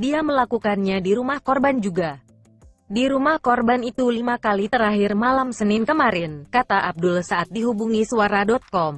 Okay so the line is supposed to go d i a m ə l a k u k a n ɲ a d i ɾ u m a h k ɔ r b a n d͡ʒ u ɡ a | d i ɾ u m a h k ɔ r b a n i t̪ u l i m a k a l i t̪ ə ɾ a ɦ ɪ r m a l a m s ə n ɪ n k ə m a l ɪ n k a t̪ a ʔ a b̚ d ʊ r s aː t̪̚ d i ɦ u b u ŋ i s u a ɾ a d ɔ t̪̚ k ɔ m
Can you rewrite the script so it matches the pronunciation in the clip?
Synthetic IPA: d i a m ə l a k u k a n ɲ a d i ɾ u m a h k ɔ r b a n d͡ʒ u ɡ a | d i ɾ u m a h k ɔ r b a n i t̪ u l i m a k a l i t̪ ə ɾ a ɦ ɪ r m a l a m s ə n ɪ n k ə m a ɾ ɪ n k a t̪ a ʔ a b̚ d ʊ l s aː t̪̚ d i ɦ u b u ŋ i s u a ɾ a d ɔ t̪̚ k ɔ m